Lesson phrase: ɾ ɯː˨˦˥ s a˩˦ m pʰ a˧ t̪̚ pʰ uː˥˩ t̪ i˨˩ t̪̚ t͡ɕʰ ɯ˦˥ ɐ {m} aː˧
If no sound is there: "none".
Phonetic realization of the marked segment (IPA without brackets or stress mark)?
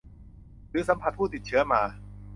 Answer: m